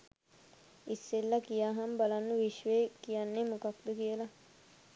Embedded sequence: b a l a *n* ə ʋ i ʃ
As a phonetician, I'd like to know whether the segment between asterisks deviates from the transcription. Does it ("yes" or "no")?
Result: yes